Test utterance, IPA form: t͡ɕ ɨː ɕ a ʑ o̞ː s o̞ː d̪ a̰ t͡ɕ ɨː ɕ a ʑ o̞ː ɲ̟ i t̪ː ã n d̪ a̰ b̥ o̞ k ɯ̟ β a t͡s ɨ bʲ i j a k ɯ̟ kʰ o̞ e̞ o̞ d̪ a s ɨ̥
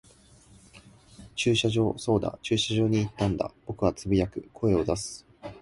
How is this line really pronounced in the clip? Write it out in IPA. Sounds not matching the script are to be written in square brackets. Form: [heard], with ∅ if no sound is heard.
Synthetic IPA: t͡ɕ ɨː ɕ a ʑ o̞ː s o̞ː d̪ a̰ t͡ɕ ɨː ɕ a ʑ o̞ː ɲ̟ [iː] t̪ː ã n d̪ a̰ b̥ o̞ k ɯ̟ β a t͡s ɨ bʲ i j a k ɯ̟ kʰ o̞ e̞ o̞ d̪ a s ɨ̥